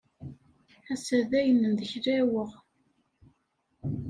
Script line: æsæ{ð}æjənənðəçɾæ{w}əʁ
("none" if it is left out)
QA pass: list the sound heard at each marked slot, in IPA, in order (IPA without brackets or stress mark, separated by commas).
ð, w